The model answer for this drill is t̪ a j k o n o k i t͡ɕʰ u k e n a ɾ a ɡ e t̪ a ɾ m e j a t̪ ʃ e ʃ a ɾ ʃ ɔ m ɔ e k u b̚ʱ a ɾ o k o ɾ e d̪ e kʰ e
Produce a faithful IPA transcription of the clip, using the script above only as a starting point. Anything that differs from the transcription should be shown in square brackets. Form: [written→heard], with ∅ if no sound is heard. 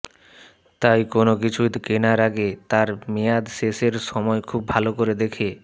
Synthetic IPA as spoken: t̪ a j k o n o k i t͡ɕʰ u k e n a ɾ a ɡ e t̪ a ɾ m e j a [t̪→d̪] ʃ e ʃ [a→e] ɾ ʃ ɔ m ɔ e [k→kʰ] u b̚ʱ a [ɾ→l] o k o ɾ e d̪ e kʰ e